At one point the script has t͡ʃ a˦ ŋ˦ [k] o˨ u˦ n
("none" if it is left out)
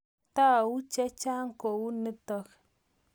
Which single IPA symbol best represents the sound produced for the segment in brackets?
k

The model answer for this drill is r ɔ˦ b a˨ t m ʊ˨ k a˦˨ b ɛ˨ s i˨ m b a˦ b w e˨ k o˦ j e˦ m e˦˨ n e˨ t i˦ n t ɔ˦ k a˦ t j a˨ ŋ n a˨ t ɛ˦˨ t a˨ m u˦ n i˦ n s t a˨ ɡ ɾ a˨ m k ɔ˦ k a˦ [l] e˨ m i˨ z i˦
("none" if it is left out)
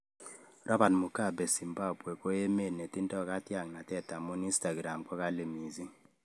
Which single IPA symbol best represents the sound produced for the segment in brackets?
l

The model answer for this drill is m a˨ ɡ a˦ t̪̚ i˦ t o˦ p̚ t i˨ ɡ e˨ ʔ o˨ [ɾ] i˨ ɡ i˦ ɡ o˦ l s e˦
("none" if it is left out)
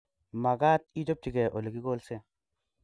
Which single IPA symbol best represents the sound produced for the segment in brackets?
l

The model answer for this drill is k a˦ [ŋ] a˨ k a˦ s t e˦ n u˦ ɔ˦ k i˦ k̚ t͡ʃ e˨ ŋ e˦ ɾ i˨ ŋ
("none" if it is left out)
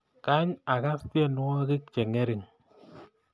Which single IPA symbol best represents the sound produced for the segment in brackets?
ɲ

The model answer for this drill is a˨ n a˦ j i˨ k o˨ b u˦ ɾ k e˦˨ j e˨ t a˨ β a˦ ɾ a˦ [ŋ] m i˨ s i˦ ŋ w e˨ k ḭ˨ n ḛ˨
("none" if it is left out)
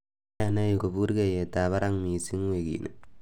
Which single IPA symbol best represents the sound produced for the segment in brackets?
ŋ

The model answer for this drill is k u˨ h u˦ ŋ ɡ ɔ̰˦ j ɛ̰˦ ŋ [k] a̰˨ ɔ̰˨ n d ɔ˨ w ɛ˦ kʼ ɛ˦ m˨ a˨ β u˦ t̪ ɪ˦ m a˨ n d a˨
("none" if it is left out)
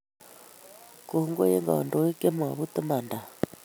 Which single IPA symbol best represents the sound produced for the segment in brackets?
ɡ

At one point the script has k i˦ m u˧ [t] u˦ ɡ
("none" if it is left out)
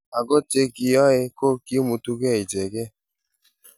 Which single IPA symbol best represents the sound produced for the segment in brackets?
t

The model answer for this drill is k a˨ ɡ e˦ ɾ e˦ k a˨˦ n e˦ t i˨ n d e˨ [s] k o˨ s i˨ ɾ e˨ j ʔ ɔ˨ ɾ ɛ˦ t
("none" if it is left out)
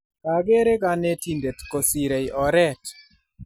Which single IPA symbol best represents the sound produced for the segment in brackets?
t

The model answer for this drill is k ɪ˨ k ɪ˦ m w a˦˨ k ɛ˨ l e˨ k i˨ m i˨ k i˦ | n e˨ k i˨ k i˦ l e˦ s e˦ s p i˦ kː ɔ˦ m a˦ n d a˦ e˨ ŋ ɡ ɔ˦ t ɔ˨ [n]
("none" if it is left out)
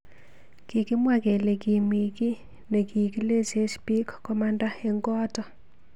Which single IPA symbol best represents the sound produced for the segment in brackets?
none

